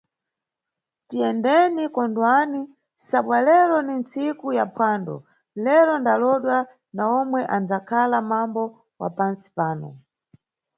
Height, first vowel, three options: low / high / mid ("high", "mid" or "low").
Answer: high